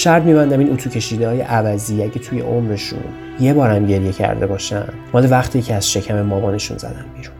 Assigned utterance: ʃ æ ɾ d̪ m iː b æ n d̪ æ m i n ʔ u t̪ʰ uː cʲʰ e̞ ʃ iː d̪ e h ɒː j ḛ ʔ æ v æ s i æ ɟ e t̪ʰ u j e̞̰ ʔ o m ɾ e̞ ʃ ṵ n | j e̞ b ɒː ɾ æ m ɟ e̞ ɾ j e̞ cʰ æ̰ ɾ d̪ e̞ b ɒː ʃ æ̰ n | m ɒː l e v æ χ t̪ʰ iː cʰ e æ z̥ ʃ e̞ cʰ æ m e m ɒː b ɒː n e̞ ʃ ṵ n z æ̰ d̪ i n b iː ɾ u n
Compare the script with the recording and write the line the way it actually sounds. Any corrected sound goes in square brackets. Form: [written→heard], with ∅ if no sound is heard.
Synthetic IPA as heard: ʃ æ ɾ d̪ m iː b æ n d̪ æ m i n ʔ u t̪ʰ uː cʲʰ e̞ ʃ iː d̪ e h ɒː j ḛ ʔ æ v æ [s→z] i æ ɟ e t̪ʰ u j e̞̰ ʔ o m ɾ e̞ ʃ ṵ n | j e̞ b ɒː ɾ æ m ɟ e̞ ɾ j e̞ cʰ æ̰ ɾ d̪ e̞ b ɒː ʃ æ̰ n | m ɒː l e v æ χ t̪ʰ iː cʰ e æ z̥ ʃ e̞ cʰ æ m e m ɒː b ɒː n e̞ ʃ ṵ n z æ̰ d̪ [i→æ] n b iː ɾ u n